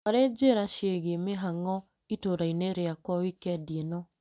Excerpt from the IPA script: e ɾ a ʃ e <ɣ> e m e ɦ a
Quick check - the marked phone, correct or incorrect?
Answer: correct